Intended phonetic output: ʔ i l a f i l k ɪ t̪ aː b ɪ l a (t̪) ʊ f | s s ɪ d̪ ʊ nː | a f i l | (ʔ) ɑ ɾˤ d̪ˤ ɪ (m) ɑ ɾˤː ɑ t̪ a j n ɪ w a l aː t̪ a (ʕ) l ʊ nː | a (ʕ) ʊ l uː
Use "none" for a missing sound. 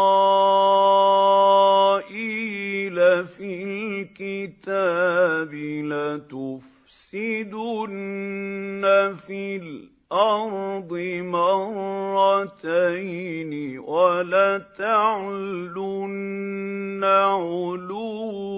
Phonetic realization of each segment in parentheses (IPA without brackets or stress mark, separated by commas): t̪, ʔ, m, ʕ, ʕ